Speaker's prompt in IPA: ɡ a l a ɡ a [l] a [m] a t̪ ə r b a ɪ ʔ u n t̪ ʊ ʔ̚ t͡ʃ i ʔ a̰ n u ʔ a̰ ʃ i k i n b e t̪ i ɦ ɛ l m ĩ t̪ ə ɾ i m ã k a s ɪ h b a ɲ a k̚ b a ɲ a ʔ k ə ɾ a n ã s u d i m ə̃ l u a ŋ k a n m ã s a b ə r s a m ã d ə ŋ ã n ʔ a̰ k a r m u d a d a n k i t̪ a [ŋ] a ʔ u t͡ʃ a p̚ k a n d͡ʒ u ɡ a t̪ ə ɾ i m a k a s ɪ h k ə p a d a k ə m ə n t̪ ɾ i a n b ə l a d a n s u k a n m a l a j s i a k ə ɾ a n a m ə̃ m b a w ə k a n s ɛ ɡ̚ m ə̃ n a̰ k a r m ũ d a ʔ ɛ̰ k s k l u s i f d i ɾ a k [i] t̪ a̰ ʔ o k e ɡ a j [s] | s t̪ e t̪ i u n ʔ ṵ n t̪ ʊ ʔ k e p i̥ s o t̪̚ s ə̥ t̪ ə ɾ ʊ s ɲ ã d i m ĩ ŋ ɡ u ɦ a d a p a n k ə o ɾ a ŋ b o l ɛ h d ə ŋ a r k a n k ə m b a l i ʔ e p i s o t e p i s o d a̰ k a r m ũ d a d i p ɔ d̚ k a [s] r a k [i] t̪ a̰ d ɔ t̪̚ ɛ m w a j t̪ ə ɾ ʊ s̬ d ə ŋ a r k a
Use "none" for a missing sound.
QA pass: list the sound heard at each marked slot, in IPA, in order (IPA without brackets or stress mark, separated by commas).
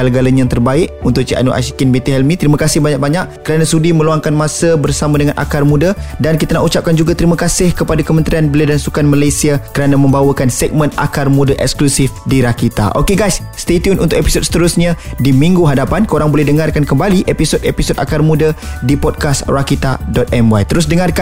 l, ɲ, n, i, s, s, i